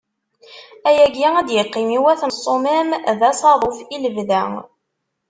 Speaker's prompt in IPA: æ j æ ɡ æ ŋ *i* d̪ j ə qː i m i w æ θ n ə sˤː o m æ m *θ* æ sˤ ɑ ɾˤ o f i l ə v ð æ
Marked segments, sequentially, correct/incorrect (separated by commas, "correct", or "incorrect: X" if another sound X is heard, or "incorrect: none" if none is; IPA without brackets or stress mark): incorrect: æ, incorrect: ð